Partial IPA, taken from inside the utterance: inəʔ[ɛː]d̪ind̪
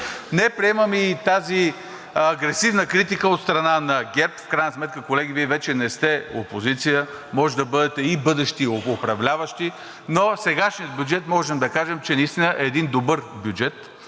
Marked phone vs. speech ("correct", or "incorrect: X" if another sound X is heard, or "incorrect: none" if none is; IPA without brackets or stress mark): correct